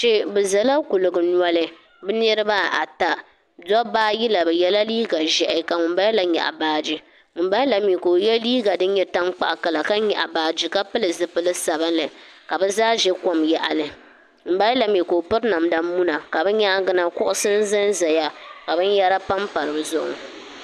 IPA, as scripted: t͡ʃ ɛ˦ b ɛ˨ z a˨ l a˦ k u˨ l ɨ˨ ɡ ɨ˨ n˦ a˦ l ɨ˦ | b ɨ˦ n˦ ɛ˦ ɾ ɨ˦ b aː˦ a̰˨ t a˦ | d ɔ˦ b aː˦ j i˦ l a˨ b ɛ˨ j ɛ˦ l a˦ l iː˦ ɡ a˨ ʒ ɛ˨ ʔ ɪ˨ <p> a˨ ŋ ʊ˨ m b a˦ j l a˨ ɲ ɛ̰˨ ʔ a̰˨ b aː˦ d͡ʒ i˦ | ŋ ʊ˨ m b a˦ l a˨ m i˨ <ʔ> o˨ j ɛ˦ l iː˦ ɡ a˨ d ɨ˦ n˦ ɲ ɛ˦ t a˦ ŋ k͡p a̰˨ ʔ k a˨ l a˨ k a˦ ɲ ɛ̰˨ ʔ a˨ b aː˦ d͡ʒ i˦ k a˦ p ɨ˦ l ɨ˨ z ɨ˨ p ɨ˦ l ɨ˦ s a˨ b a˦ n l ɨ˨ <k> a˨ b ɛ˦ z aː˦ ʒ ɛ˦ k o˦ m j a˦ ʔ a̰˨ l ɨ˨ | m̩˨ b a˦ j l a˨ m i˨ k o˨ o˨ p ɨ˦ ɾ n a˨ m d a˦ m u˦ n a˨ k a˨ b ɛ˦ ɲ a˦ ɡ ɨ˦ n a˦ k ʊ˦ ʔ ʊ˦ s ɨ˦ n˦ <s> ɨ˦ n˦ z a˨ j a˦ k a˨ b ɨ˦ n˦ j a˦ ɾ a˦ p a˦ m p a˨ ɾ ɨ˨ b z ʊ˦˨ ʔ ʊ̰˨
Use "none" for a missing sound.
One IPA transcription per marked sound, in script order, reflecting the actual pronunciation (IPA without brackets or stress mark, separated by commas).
k, k, k, z